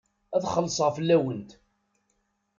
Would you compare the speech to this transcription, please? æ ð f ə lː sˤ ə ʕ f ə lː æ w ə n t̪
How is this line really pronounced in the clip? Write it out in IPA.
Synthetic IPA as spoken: æ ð χ ə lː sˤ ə ʁ f ə lː æ w ə n t̪